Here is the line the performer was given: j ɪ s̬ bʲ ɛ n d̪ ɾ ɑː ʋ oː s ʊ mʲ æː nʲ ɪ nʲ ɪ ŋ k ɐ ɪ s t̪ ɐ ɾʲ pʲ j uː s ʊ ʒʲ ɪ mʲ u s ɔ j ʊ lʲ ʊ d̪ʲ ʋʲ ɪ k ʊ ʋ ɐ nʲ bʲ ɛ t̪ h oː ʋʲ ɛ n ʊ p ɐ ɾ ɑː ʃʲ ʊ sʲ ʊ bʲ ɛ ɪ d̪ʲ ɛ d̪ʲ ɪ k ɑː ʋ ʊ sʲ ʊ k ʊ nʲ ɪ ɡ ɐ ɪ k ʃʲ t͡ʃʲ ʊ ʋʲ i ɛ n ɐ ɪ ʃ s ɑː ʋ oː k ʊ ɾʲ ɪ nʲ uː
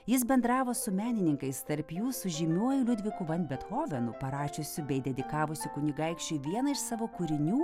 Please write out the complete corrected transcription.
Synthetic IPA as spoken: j ɪ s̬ bʲ ɛ n d̪ ɾ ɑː ʋ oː s ʊ mʲ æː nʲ ɪ nʲ ɪ ŋ k ɐ ɪ s t̪ ɐ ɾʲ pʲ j uː s ʊ ʒʲ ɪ mʲ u ɔ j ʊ lʲ ʊ d̪ʲ ʋʲ ɪ k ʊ ʋ ɐ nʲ bʲ ɛ t̪ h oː ʋʲ ɛ n ʊ p ɐ ɾ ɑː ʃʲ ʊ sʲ ʊ bʲ ɛ ɪ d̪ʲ ɛ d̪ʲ ɪ k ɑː ʋ ʊ sʲ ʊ k ʊ nʲ ɪ ɡ ɐ ɪ k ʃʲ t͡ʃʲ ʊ ʋʲ i ɛ n ɐ ɪ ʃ s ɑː ʋ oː k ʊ ɾʲ ɪ nʲ uː